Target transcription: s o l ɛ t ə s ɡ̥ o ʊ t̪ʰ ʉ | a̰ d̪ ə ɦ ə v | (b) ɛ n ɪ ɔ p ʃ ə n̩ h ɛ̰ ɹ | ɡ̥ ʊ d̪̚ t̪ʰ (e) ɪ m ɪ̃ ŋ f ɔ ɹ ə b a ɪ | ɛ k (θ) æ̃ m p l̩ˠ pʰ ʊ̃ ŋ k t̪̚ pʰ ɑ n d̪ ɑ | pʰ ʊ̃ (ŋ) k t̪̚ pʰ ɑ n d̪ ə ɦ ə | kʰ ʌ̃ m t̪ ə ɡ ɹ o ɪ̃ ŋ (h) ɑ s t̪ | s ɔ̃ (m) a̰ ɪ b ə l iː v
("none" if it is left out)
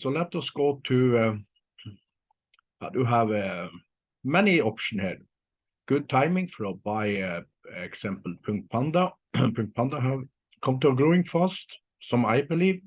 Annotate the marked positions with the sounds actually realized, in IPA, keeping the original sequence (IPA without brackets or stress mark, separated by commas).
m, a, s, ŋ, f, m